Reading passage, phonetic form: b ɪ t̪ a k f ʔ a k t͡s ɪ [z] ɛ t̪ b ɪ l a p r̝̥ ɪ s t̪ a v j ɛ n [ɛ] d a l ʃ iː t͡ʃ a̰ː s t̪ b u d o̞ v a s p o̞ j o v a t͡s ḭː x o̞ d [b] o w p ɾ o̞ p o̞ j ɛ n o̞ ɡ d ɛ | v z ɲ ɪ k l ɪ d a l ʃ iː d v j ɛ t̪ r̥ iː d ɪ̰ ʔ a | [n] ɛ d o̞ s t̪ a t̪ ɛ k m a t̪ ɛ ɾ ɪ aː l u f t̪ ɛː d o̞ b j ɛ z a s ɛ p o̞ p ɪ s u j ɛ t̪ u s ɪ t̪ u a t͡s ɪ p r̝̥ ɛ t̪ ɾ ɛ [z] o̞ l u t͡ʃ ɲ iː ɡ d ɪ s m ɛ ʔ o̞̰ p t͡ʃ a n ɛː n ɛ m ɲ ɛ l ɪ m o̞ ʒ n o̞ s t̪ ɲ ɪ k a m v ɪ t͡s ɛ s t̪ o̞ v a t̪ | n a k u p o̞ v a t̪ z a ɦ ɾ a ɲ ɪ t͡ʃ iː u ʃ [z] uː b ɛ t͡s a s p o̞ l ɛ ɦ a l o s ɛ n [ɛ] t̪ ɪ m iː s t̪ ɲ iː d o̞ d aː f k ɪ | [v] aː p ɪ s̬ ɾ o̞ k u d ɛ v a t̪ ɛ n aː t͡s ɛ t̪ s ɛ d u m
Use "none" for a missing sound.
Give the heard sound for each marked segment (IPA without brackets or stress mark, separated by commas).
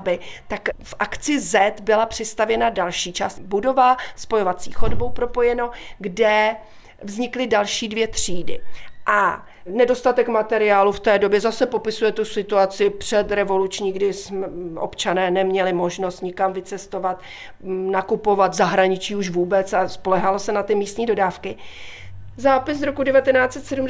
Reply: z, a, b, n, v, v, a, z